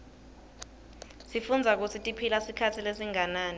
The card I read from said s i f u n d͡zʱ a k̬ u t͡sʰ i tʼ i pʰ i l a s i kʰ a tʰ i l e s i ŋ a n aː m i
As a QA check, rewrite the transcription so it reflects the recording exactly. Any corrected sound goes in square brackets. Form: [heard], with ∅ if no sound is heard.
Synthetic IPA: s i f u n d͡zʱ a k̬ u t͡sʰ i tʼ i pʰ i l a s i kʰ a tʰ i l e s i ŋ a n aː [n] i